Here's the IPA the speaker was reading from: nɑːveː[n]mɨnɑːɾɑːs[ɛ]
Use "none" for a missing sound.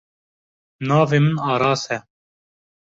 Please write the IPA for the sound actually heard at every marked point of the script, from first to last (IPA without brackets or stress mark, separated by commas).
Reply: none, ɛ